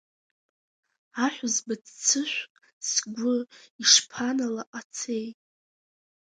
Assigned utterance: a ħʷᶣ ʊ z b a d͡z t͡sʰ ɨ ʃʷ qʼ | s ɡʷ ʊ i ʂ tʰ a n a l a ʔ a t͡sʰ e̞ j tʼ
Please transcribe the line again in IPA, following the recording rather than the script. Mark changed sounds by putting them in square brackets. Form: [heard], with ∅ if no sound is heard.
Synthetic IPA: a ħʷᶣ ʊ z b a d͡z t͡sʰ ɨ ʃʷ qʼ | s ɡʷ ʊ i ʂ [pʰ] a n a l a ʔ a t͡sʰ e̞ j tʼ